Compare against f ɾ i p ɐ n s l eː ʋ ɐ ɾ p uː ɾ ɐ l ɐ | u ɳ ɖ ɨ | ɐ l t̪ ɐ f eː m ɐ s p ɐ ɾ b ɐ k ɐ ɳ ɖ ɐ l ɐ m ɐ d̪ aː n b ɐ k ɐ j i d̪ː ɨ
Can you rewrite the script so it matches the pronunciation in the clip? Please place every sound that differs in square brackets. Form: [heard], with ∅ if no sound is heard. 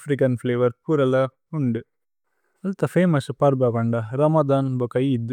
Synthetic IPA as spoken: f ɾ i [k] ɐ n [f] l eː ʋ ɐ ɾ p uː ɾ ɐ l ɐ | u ɳ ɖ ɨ | ɐ l t̪ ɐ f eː m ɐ s p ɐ ɾ b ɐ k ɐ ɳ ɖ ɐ [ɾ] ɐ m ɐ d̪ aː n b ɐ k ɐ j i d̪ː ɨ